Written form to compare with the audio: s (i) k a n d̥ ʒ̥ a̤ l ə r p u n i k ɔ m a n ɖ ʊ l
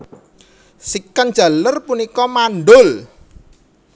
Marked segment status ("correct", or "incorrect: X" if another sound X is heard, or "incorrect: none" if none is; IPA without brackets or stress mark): correct